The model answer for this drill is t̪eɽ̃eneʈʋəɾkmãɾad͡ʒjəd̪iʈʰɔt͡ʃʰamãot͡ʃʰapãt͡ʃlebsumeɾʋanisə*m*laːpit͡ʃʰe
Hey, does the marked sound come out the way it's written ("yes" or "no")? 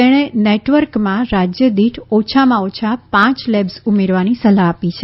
no